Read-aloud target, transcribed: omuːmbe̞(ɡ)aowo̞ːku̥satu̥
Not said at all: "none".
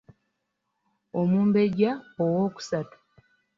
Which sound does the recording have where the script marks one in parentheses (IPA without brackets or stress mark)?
ɟ